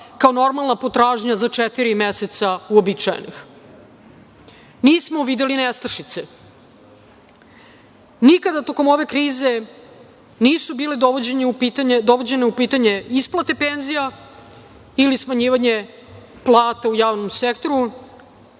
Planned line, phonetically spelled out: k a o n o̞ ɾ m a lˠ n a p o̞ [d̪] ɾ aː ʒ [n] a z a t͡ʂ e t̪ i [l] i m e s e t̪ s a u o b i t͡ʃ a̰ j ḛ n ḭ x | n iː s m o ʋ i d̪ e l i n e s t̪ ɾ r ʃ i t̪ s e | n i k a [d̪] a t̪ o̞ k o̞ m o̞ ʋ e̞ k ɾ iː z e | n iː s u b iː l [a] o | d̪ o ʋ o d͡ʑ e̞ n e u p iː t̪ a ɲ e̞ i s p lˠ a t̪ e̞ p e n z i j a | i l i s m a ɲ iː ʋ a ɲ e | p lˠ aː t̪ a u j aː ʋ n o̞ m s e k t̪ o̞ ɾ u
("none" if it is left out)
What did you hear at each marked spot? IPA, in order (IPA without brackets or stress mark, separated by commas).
t̪, ɲ, ɾ, d̪, e